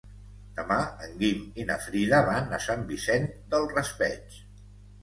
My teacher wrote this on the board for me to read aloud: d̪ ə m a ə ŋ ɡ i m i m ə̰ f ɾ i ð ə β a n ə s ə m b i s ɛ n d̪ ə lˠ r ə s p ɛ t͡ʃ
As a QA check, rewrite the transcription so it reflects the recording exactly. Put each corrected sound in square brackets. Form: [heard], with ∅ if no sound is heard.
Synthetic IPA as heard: d̪ ə m a ə ŋ ɡ i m i [n] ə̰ f ɾ i ð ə β a n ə s [a] m b i s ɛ n d̪ ə lˠ r ə s p ɛ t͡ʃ